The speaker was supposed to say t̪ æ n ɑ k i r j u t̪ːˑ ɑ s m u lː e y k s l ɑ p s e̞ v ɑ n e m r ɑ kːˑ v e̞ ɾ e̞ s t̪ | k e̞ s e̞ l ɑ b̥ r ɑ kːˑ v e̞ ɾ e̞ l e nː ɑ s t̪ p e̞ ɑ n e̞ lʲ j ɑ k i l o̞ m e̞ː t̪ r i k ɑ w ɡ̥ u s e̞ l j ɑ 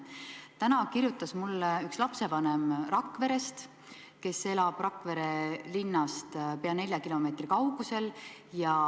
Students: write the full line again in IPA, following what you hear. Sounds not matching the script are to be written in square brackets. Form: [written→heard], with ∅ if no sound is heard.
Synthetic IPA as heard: t̪ æ n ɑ k i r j u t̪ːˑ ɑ s m u lː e y k s l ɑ p s e̞ v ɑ n e m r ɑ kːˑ v e̞ ɾ e̞ s t̪ | k e̞ s e̞ l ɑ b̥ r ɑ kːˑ v e̞ ɾ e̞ l [e→i] nː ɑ s t̪ p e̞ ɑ n e̞ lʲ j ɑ k i l o̞ m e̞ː t̪ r i k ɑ w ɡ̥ u s e̞ l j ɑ